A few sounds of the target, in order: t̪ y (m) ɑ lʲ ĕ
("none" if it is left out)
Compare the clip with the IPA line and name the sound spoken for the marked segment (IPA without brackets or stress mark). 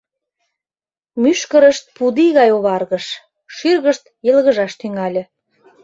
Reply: ŋ